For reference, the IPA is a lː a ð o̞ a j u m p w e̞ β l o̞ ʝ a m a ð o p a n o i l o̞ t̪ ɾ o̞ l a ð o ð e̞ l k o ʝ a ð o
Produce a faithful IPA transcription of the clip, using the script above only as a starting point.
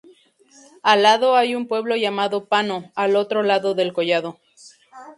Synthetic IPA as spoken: a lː a ð o̞ a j u m p w e̞ β l o̞ ʝ a m a ð o p a n o a l o̞ t̪ ɾ o̞ l a ð o ð e̞ l k o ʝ a ð o